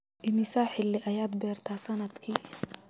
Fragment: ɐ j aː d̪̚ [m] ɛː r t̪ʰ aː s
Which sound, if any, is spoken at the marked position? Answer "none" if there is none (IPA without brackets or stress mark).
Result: b